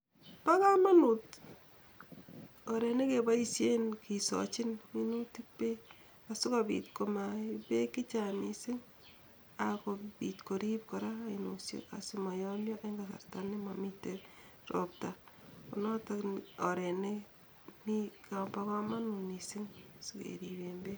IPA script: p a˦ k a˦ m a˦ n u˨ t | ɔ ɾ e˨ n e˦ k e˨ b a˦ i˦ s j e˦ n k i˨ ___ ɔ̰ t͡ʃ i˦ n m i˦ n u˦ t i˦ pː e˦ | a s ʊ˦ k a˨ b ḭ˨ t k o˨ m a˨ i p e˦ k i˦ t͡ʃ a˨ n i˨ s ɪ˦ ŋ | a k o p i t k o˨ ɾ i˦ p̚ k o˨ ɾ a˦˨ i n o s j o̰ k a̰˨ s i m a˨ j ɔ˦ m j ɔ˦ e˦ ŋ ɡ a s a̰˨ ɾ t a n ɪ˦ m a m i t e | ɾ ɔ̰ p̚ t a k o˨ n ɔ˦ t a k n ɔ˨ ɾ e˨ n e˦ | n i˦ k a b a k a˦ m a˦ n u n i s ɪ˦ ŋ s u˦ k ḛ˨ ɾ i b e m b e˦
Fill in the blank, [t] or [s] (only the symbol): s